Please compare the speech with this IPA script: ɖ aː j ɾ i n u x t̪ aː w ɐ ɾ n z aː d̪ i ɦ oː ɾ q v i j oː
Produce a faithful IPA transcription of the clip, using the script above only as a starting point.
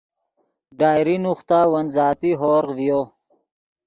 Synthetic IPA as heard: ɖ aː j ɾ i n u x t̪ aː w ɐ n z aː t̪ i ɦ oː ɾ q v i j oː